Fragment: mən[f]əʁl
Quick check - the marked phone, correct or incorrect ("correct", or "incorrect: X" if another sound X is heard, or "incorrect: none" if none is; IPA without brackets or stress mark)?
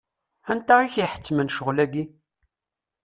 incorrect: ʃ